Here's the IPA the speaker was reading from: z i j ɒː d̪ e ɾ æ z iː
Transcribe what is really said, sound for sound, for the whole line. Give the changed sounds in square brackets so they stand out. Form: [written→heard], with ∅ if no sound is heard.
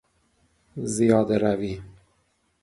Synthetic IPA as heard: z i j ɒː d̪ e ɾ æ [z→v] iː